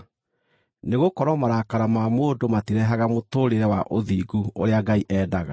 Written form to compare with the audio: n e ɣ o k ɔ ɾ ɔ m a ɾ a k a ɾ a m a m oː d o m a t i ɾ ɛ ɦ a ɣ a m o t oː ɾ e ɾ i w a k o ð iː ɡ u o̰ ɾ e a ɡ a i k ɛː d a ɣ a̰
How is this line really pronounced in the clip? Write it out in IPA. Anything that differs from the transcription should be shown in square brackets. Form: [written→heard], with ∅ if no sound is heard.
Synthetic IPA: n e ɣ o k ɔ ɾ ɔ m a ɾ a k a ɾ a m a m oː d o m a t i ɾ ɛ ɦ a ɣ a m o t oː ɾ e ɾ [i→ɛ] w a [k→ʔ] o ð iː ɡ u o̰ ɾ e a ɡ a i [k→ʔ] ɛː d a ɣ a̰